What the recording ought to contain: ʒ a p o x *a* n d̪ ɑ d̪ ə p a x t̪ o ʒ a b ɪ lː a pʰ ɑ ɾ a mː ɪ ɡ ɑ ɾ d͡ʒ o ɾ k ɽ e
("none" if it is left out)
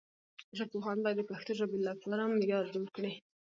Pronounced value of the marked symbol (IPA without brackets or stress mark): ɑ